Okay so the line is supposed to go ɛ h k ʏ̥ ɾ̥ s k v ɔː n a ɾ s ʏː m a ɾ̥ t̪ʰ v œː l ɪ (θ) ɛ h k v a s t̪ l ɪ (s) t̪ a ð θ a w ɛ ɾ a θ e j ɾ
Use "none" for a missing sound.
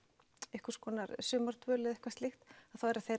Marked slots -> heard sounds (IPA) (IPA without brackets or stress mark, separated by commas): ð, x